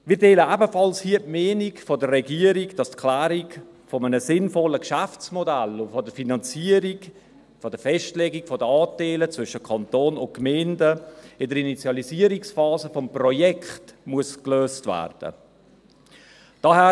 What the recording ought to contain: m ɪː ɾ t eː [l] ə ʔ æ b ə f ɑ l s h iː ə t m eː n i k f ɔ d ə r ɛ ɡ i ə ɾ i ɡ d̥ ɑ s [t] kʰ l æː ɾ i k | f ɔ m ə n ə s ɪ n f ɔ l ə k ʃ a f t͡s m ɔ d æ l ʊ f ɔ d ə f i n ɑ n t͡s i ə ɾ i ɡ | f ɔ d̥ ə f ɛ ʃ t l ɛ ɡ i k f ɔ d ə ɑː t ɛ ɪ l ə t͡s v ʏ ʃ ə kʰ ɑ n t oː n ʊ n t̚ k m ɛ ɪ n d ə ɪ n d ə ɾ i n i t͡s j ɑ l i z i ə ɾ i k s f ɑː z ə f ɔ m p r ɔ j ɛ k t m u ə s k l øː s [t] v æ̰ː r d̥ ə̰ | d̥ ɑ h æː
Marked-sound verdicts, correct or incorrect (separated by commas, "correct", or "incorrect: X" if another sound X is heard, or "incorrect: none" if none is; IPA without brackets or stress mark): correct, correct, correct